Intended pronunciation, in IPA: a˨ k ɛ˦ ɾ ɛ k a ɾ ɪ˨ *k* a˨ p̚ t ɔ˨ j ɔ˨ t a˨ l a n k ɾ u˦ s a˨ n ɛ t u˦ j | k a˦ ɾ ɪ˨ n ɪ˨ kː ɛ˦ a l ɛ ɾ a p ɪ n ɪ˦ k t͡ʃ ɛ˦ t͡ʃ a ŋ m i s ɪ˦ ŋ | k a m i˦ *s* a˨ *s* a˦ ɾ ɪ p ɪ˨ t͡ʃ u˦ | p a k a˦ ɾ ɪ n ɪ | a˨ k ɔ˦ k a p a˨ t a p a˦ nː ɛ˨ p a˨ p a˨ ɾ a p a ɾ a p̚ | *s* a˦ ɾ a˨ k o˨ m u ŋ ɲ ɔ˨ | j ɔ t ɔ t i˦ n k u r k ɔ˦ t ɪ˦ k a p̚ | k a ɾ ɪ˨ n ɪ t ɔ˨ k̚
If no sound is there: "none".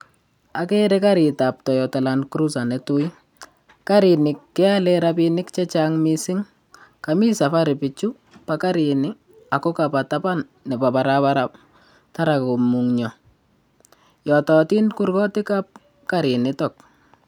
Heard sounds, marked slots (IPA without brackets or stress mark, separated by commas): t, s, f, t